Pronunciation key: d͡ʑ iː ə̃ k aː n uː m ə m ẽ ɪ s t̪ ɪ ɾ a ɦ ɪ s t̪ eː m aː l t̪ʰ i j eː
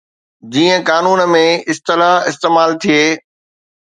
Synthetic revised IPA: d͡ʑ iː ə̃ k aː n uː n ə m ẽ ɪ s t̪ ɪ l a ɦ ɪ s t̪ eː m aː l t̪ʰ i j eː